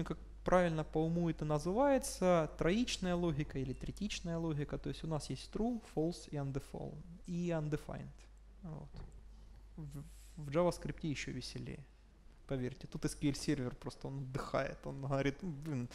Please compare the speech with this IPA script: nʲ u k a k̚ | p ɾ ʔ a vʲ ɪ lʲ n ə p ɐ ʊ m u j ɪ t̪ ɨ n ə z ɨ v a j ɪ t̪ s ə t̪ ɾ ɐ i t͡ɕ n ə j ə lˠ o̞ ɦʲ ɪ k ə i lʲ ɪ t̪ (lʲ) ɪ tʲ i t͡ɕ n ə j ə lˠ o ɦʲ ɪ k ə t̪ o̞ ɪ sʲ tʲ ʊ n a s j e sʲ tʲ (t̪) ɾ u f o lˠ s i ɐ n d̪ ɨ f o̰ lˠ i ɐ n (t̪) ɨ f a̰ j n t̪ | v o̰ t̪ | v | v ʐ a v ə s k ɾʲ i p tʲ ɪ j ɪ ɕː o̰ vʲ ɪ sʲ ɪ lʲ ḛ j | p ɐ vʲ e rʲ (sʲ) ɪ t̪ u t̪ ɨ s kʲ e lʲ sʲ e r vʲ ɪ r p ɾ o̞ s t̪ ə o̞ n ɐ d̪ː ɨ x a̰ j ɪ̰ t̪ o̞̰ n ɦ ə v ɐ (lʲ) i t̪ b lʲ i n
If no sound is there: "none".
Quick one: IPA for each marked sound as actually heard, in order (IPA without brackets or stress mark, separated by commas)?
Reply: ɾʲ, t̪, d̪, tʲ, ɾʲ